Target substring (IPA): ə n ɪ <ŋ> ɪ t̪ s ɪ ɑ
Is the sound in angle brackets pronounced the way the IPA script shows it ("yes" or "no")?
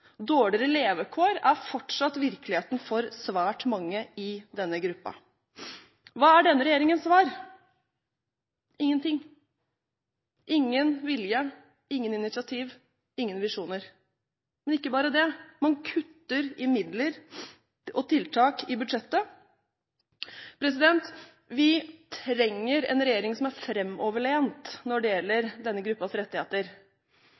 no